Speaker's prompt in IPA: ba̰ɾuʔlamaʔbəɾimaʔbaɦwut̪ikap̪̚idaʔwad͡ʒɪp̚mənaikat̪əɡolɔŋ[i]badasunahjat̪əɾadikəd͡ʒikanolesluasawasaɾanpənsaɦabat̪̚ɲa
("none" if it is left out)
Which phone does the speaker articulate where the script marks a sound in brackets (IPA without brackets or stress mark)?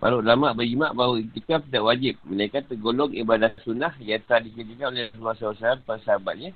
i